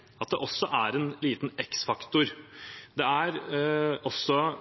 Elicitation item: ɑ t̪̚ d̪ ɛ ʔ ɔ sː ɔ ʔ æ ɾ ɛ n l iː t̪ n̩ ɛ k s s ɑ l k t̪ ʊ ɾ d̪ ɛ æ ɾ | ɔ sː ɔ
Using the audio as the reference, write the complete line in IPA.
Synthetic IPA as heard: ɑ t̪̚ d̪ ɛ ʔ ɔ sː ɔ ʔ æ ɾ ɛ n l iː t̪ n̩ ɛ k s f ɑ k t̪ ʊ ɾ d̪ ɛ æ ɾ | ɔ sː ɔ